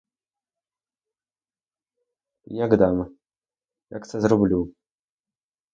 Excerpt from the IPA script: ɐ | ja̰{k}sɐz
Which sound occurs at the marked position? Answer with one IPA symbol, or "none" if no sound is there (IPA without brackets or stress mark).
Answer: k